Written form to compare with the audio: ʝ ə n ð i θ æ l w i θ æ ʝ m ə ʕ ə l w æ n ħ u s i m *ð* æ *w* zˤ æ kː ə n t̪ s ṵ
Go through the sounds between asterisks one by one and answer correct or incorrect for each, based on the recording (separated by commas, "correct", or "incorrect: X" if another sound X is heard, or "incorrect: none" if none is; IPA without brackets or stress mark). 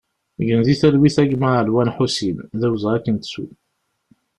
correct, correct